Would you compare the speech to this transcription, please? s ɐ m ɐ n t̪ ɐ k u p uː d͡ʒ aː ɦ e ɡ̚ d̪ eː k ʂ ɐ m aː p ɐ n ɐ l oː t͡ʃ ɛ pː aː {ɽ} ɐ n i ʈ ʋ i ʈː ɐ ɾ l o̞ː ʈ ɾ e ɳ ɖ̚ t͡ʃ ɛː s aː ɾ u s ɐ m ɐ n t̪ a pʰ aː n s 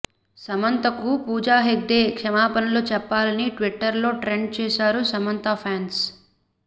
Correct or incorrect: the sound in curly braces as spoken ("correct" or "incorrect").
incorrect